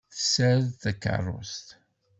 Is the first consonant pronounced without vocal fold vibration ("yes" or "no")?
yes